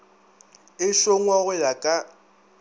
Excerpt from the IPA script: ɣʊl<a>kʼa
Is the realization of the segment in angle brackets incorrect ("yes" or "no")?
no